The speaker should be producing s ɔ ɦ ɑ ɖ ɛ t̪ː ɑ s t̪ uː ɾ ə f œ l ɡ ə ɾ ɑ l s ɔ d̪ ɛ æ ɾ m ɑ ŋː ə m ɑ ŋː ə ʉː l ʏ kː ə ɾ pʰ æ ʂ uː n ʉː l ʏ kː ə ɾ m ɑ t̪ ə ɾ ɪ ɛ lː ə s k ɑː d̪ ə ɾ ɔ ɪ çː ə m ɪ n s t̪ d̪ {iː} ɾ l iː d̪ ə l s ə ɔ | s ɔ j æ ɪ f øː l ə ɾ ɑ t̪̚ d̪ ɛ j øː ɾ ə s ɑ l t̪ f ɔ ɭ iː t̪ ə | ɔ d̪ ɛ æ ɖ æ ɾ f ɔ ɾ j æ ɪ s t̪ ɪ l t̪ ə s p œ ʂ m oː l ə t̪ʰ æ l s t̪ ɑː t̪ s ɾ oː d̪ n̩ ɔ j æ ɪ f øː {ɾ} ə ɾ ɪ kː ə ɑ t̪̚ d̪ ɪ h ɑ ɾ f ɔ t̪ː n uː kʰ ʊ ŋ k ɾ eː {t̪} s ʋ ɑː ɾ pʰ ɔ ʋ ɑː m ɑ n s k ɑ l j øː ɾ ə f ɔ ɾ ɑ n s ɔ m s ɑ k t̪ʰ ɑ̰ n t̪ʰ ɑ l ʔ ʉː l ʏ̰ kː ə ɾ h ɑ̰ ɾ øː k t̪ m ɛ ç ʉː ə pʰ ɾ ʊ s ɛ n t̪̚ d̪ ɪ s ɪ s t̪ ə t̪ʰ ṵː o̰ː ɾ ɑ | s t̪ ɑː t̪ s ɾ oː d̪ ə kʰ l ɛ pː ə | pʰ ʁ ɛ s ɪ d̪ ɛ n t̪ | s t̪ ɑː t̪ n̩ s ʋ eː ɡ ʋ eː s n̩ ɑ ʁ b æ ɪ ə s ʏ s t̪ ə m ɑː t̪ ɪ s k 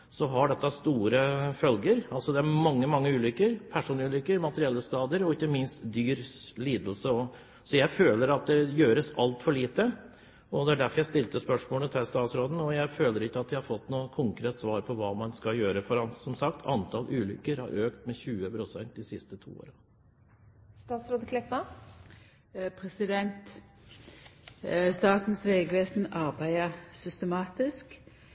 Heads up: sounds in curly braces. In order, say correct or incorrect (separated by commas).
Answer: incorrect, incorrect, correct